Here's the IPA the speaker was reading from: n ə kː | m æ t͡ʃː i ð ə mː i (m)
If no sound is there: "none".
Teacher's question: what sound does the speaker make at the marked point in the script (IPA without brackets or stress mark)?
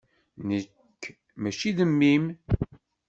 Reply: m